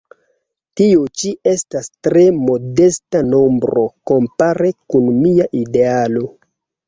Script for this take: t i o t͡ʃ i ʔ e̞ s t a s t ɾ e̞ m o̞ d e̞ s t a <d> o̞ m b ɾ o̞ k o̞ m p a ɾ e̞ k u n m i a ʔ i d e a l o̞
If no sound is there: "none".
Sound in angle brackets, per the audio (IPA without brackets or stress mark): n